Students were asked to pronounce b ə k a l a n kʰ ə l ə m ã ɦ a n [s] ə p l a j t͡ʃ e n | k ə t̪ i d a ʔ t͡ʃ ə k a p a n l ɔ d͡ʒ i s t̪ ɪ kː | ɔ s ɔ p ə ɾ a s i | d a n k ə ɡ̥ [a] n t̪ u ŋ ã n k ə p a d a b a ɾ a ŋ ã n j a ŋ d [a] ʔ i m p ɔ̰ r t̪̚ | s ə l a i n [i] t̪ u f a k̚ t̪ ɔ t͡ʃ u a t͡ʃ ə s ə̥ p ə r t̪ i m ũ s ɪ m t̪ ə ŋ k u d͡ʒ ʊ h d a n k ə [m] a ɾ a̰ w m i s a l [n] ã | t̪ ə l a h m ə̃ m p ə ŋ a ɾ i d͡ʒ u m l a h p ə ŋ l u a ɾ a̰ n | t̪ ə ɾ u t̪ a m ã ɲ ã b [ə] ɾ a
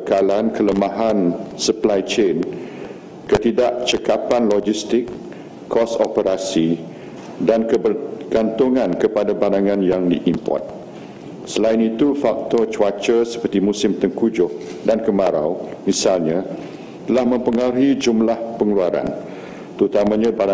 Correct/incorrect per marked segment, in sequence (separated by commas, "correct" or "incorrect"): correct, correct, incorrect, correct, correct, incorrect, incorrect